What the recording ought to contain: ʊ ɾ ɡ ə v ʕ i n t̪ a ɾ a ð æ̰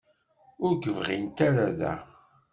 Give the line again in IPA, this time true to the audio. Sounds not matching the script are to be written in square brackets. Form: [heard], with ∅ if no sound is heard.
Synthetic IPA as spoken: ʊ ɾ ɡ ə v [ʁ] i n t̪ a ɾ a ð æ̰